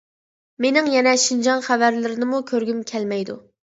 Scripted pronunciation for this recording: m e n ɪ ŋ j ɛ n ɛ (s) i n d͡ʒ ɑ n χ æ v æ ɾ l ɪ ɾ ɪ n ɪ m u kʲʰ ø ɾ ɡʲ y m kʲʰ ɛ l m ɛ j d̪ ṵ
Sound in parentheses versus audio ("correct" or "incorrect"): incorrect